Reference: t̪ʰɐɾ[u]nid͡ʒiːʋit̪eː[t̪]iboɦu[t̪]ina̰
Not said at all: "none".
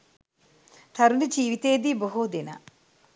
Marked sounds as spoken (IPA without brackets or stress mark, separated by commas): u, d̪, d̪